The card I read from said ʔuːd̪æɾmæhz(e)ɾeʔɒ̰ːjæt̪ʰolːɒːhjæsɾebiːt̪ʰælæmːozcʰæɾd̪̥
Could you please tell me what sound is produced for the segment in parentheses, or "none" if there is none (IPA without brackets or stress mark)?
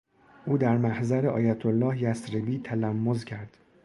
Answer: æ